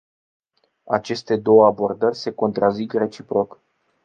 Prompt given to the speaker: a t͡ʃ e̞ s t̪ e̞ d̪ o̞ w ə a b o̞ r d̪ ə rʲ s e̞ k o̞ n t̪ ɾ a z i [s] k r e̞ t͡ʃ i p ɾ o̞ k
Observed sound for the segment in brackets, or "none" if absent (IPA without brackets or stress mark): none